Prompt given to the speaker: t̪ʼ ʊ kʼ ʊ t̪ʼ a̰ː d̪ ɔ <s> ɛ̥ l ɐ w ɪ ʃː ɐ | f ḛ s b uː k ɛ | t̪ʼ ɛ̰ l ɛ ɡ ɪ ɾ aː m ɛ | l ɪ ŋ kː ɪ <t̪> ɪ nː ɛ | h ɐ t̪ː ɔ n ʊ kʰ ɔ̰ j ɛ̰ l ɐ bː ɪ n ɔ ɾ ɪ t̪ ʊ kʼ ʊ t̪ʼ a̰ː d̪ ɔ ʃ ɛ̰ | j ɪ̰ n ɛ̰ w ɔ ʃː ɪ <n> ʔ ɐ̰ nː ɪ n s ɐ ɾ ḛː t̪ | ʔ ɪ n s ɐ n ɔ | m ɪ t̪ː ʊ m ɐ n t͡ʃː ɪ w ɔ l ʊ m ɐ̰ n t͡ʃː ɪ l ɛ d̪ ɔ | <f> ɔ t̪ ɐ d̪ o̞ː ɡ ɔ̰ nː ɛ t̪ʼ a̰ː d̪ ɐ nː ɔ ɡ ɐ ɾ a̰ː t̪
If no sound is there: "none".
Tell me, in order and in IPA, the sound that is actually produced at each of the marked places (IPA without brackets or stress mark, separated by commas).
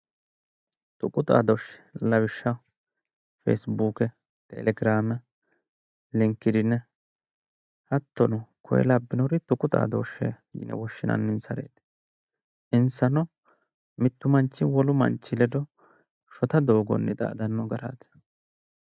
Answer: ʃ, d̪, n, ʃ